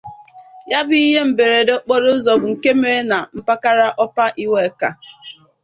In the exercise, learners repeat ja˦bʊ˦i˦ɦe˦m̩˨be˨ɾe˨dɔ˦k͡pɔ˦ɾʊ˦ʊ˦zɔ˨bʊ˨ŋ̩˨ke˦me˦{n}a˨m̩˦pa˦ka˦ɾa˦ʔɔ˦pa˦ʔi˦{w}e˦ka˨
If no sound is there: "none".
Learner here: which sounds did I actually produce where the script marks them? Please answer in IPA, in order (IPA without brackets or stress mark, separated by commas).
n, w